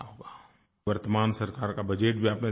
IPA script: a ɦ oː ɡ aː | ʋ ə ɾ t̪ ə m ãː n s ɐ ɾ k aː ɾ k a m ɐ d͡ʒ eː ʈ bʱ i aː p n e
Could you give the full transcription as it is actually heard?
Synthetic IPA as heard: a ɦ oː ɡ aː | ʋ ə ɾ t̪ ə m aː n s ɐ ɾ k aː ɾ k a b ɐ d͡ʒ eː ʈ bʱ i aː p n e